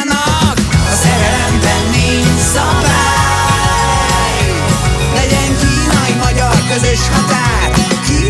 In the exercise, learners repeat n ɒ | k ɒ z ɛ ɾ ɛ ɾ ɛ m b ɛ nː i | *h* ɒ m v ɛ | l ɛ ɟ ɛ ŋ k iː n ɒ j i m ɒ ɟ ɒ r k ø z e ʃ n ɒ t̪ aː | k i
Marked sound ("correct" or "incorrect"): incorrect